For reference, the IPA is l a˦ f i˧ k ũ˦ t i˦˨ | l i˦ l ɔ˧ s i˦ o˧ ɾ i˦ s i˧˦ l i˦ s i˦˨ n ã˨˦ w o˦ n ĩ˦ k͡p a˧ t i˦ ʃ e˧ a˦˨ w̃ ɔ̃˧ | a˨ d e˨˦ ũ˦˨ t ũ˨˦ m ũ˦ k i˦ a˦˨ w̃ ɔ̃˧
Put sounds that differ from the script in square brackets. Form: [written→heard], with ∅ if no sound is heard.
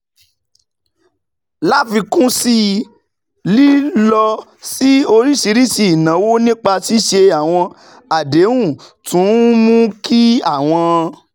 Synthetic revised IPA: l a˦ f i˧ k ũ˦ [t→s] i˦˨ | l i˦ l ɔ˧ s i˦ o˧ ɾ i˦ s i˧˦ [l→ɾ] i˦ s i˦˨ n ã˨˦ w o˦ n ĩ˦ k͡p a˧ t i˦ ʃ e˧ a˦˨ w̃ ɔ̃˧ | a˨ d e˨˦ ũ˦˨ t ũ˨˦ m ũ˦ k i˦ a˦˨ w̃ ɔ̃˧